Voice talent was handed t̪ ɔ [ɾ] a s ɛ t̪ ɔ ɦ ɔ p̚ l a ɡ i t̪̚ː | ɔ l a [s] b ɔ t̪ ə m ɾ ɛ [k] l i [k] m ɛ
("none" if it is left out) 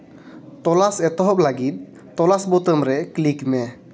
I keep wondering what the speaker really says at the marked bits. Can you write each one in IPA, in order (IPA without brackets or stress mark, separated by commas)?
l, s, k, k